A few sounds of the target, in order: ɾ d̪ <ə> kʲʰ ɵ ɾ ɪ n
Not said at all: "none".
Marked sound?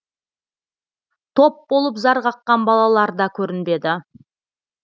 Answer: ɑ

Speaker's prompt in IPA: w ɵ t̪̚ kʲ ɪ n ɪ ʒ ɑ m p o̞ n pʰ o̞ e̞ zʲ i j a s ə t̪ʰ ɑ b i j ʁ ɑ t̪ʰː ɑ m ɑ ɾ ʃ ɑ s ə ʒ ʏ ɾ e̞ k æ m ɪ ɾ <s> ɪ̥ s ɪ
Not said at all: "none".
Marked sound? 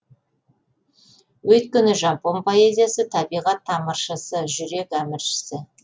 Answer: ʃ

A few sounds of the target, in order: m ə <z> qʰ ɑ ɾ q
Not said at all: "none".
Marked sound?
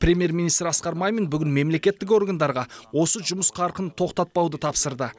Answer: s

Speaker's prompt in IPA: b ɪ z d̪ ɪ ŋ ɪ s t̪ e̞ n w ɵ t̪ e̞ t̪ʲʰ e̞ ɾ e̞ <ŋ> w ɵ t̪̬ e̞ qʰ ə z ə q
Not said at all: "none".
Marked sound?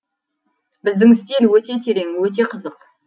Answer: ŋ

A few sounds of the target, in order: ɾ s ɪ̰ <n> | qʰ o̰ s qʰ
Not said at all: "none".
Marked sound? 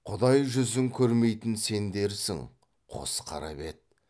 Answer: ŋ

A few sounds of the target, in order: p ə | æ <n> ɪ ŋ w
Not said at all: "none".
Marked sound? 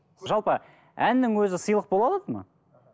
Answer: nː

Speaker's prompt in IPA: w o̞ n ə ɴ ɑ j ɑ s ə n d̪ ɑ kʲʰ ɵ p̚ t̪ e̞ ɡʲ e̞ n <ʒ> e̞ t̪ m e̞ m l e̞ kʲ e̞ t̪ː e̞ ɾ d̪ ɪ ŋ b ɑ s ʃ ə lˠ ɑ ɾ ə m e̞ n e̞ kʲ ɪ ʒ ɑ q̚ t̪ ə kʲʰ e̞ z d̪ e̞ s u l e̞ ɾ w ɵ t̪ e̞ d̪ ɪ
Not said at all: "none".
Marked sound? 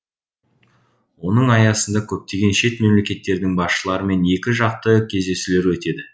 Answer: ʃ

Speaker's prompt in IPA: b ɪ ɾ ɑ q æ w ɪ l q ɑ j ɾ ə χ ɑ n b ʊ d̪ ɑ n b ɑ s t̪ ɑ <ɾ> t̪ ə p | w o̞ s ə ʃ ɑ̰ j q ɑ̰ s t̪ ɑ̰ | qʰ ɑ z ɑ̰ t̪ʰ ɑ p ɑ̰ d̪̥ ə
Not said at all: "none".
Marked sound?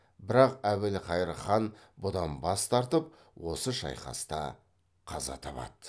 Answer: ɾ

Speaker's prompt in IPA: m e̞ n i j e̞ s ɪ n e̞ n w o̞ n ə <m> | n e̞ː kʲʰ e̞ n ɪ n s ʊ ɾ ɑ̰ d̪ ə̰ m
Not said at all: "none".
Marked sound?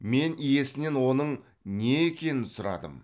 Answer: ɴ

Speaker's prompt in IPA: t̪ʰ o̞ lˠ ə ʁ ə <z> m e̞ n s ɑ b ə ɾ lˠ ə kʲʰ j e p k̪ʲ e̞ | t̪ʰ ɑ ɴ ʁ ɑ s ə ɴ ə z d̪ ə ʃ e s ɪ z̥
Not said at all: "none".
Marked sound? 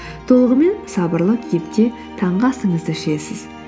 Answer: none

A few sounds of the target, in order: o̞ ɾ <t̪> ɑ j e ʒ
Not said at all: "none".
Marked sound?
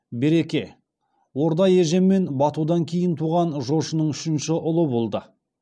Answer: d̪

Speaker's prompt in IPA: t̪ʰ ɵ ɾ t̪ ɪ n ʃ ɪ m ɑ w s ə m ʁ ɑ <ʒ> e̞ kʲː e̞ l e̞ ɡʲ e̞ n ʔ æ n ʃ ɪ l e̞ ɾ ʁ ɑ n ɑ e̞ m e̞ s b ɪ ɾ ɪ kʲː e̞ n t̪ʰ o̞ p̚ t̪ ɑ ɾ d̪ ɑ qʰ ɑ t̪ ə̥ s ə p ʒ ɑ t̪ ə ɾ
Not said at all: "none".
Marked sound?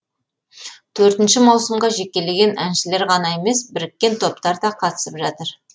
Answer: ʒ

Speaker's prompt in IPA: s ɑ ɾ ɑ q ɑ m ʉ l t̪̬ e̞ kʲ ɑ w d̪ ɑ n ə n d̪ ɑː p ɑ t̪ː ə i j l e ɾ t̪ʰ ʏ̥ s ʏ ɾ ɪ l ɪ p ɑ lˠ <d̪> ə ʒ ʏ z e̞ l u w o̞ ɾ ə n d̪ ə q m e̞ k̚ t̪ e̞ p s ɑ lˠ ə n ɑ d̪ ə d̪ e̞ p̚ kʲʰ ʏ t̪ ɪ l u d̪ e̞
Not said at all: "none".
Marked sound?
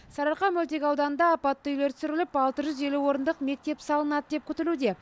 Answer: t̪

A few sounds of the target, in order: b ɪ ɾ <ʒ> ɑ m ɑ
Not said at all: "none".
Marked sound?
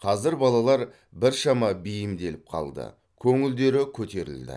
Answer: ʃ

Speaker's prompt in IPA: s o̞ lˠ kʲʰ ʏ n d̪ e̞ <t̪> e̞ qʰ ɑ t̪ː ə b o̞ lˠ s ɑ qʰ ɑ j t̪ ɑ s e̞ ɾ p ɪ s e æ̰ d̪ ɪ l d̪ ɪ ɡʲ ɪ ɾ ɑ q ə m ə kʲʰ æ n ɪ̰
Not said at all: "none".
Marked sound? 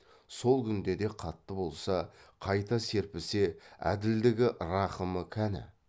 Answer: d̪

